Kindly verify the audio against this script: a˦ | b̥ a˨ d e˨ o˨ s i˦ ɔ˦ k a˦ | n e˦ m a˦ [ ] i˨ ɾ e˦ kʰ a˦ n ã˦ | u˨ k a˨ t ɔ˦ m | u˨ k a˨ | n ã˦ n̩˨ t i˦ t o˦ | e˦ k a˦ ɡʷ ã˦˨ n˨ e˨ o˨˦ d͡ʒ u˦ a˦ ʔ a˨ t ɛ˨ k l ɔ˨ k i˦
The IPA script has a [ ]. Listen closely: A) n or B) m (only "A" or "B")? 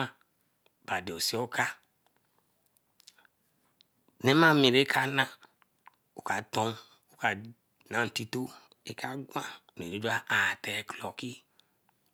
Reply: B